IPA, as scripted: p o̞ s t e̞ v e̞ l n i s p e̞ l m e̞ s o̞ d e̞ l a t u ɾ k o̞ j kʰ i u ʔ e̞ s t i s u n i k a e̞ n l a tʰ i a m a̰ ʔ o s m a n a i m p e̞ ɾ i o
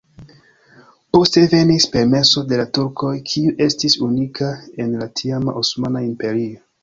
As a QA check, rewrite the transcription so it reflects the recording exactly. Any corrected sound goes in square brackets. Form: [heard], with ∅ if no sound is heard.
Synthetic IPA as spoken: p o̞ s t e̞ v e̞ [∅] n i s p e̞ [ɾ] m e̞ s o̞ d e̞ l a t u ɾ k o̞ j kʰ i u ʔ e̞ s t i s u n i k a e̞ n l a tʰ i a m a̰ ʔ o s m a n a i m p e̞ ɾ i o

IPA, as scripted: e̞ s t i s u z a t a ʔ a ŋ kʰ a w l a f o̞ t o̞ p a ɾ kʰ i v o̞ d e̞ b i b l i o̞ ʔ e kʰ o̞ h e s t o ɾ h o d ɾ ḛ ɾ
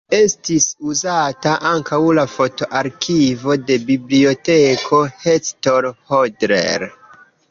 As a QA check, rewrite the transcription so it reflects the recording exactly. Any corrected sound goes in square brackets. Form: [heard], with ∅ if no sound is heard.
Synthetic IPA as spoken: e̞ s t i s u z a t a ʔ a ŋ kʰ a w l a f o̞ t o̞ [ʔ] a ɾ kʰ i v o̞ d e̞ b i b l i o̞ [t] e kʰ o̞ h e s t o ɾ h o d ɾ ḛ ɾ

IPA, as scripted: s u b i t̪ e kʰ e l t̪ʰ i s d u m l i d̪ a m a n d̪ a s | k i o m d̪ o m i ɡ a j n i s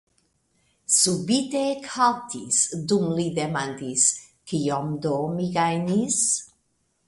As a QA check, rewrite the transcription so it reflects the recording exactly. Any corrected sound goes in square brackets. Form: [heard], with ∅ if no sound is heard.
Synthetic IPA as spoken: s u b i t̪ e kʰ [a] l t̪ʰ i s d u m l i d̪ [e] m a n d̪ [i] s | k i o m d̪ o m i ɡ a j n i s

